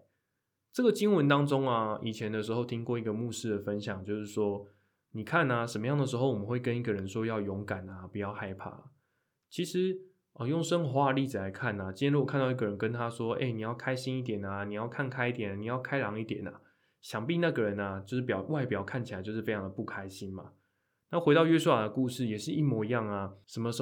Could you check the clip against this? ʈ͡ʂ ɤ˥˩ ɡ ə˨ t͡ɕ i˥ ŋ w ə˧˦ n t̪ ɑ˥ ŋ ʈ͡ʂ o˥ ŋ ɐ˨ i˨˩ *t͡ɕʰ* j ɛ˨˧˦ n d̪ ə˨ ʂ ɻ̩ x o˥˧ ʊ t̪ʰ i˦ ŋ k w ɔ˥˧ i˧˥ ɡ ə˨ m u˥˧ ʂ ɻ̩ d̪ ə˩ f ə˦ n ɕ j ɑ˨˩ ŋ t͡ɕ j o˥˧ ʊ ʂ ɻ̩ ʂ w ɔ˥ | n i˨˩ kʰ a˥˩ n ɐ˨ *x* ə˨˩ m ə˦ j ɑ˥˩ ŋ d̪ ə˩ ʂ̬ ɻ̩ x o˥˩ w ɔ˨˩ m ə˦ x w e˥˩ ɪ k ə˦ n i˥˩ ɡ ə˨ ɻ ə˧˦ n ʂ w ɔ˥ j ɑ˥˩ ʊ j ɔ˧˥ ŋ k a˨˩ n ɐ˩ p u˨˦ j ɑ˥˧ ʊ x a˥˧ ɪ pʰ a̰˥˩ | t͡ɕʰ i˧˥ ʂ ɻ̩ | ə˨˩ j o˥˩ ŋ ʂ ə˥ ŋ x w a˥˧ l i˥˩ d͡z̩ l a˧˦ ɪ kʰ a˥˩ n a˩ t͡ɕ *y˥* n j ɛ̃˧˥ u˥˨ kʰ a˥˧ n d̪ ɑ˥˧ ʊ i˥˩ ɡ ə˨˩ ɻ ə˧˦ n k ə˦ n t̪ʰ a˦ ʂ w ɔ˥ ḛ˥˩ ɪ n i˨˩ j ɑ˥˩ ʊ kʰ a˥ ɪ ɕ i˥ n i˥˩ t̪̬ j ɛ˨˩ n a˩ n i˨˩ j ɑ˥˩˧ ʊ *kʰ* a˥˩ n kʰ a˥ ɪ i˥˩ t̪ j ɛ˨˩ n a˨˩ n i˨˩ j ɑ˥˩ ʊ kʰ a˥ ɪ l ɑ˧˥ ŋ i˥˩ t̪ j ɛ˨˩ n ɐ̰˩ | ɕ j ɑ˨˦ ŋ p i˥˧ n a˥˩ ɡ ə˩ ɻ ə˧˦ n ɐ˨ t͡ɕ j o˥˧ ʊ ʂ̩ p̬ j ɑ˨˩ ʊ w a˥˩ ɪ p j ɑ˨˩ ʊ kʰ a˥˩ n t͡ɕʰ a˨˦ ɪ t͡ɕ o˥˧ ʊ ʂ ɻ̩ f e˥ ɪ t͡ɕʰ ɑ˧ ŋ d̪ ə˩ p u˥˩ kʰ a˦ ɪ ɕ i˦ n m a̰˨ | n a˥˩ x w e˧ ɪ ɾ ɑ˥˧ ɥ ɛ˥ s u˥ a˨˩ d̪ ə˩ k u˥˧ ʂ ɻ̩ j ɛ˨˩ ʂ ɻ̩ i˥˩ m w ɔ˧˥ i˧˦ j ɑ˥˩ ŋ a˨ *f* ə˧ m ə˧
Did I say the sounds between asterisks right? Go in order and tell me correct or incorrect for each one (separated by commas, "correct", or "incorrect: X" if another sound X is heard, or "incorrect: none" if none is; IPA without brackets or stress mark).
correct, incorrect: ʂ, incorrect: i˥, correct, incorrect: ʂ